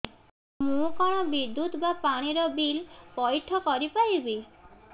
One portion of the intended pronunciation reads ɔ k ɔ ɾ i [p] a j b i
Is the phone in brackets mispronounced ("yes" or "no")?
no